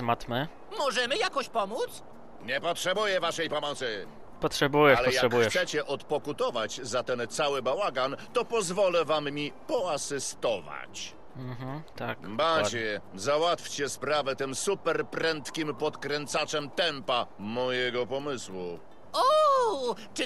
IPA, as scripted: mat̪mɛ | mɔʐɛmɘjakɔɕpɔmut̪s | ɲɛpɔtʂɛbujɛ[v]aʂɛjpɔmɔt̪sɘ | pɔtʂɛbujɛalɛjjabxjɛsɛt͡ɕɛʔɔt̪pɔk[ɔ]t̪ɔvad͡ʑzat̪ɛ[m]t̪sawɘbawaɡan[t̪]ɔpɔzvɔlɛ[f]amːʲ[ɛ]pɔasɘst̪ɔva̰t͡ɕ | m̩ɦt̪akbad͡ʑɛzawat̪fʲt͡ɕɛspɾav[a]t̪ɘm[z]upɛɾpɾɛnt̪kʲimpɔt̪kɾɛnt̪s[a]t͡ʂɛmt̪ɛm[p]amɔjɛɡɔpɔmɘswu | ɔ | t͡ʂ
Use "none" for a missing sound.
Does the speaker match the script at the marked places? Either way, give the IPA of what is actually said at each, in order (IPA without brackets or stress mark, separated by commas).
v, u, n, t̪, v, i, ɛ, s, a, p